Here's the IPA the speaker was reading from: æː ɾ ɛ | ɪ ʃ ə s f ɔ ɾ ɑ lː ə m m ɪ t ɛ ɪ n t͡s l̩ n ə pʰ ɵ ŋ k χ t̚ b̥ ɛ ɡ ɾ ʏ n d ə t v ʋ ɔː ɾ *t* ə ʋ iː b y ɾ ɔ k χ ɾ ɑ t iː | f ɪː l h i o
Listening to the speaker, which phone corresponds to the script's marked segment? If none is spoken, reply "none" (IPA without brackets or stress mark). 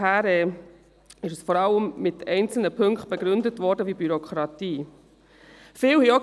d